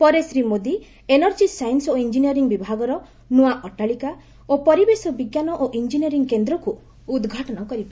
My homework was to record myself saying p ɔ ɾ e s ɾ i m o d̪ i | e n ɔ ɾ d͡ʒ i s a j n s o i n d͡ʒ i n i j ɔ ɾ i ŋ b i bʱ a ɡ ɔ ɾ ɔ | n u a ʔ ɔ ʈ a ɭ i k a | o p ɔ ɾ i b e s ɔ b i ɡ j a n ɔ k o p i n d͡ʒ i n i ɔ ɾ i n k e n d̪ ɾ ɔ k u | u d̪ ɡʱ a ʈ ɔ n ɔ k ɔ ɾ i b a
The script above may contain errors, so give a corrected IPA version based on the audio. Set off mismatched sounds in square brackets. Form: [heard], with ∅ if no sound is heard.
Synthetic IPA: p ɔ ɾ e s ɾ i m o d̪ i | e n ɔ ɾ d͡ʒ i s a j n s o i n d͡ʒ i n i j ɔ ɾ i ŋ b i bʱ a ɡ ɔ ɾ ɔ | n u a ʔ ɔ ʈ a ɭ i k a | o p ɔ ɾ i b e s ɔ b i ɡ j a n ɔ [ʔ] o [ʔ] i n d͡ʒ i n i ɔ ɾ i [ŋ] k e n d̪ ɾ ɔ k u | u d̪ ɡʱ a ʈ ɔ n ɔ k ɔ ɾ i b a

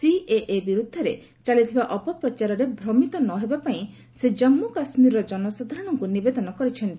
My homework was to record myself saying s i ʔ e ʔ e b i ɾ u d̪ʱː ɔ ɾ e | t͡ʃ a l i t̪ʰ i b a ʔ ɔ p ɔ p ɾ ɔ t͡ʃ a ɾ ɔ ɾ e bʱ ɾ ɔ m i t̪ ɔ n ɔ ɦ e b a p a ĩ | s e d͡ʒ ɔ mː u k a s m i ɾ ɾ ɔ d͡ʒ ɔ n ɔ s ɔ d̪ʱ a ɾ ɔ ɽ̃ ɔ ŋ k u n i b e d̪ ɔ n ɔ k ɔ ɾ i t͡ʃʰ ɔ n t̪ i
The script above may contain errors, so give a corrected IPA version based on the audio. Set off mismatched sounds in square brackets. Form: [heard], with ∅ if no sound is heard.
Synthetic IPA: s i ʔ e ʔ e b i ɾ u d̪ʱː ɔ ɾ e | t͡ʃ a l i t̪ʰ i b a ʔ ɔ p ɔ p ɾ ɔ t͡ʃ a ɾ ɔ ɾ e bʱ ɾ ɔ m i t̪ ɔ n ɔ ɦ e b a p a ĩ | s e d͡ʒ ɔ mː u k a s m i ɾ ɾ ɔ d͡ʒ ɔ n ɔ s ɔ d̪ʱ a ɾ ɔ ɽ̃ ɔ ŋ k u n i b e d̪ ɔ n ɔ k ɔ ɾ i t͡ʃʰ ɔ n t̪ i

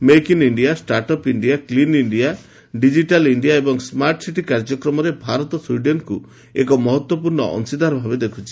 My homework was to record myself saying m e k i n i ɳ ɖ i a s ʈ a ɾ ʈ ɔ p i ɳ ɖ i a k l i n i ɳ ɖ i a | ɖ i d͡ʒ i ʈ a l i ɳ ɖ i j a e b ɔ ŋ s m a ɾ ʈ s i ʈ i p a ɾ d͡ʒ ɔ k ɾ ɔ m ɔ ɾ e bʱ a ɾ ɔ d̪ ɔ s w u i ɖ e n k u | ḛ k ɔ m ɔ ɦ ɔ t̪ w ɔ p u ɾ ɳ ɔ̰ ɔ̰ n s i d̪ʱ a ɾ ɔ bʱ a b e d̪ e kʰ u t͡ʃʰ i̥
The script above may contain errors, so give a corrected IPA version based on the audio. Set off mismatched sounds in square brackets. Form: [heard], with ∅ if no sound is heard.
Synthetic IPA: m e k i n i ɳ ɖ i a s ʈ a ɾ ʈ ɔ p i ɳ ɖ i a k l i n i ɳ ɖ i a | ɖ i d͡ʒ i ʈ a l i ɳ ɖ i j a e b ɔ ŋ s m a ɾ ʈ s i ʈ i [k] a ɾ d͡ʒ ɔ k ɾ ɔ m ɔ ɾ e bʱ a ɾ ɔ [t̪] ɔ s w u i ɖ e n k u | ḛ k ɔ m ɔ ɦ ɔ t̪ w ɔ p u ɾ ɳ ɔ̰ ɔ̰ n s i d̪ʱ a ɾ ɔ bʱ a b e d̪ e kʰ u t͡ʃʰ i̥

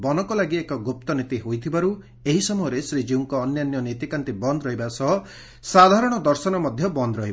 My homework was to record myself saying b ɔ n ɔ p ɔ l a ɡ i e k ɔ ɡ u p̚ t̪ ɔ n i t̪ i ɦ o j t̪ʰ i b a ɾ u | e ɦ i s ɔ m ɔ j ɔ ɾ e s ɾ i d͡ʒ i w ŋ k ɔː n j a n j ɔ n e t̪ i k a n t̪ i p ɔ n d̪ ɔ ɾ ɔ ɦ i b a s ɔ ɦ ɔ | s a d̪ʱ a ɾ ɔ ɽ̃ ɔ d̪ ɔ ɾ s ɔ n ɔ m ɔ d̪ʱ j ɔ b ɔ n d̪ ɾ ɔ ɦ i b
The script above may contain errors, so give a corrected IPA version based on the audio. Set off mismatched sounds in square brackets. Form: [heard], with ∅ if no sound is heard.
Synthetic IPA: b ɔ n ɔ [k] ɔ l a ɡ i e k ɔ ɡ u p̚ t̪ ɔ n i t̪ i ɦ o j t̪ʰ i b a ɾ u | e ɦ i s ɔ m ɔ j ɔ ɾ e s ɾ i d͡ʒ i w ŋ k ɔː n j a n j ɔ n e t̪ i k a n t̪ i [b] ɔ n d̪ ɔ ɾ ɔ ɦ i b a s ɔ ɦ ɔ | s a d̪ʱ a ɾ ɔ ɽ̃ ɔ d̪ ɔ ɾ s ɔ n ɔ m ɔ d̪ʱ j ɔ b ɔ n d̪ ɾ ɔ ɦ i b

